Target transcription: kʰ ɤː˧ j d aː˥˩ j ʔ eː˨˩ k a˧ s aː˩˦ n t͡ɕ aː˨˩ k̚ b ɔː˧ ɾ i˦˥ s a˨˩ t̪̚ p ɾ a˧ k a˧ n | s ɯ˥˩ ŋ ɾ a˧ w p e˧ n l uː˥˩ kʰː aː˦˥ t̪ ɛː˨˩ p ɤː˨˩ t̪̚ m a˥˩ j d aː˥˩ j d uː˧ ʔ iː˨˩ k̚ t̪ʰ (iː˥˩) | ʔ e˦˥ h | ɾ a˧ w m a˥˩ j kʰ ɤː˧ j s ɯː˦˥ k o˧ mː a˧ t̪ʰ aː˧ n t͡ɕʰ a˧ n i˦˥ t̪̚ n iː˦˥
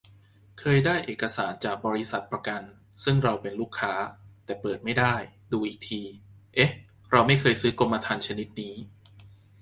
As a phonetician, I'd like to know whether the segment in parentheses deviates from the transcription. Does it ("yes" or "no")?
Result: yes